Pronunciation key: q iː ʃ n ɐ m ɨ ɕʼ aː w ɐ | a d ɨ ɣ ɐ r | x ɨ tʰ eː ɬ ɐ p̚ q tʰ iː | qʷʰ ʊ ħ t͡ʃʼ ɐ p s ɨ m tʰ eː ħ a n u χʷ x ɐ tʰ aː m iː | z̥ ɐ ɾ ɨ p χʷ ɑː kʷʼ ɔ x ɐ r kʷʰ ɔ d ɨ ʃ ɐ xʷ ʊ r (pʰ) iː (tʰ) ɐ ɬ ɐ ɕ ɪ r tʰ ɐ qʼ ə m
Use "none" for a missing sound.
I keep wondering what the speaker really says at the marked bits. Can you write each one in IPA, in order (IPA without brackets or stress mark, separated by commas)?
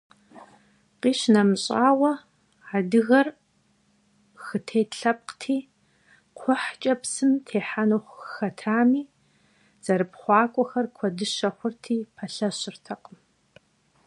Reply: tʰ, pʰ